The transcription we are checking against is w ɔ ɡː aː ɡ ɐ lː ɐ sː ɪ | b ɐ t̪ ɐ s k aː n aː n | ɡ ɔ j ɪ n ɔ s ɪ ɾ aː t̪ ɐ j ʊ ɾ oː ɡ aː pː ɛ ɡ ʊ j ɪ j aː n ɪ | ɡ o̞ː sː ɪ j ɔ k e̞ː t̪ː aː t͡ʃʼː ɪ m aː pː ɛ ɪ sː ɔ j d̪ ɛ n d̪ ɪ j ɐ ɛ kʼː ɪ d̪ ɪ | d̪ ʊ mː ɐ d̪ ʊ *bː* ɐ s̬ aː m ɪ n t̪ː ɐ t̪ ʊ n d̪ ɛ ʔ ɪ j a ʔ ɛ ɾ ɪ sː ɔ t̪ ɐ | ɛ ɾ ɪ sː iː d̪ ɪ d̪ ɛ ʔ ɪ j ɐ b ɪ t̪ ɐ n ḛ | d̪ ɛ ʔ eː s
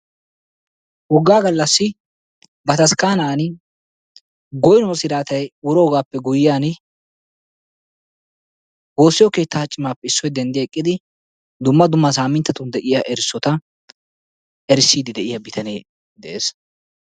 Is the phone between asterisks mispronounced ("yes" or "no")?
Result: yes